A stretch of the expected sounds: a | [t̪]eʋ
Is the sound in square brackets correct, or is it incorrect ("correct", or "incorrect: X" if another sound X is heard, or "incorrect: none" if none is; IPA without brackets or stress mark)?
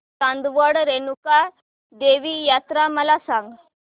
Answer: incorrect: d̪